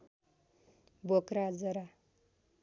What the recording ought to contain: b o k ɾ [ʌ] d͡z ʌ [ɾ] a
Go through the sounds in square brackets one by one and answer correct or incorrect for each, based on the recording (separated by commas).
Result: incorrect, correct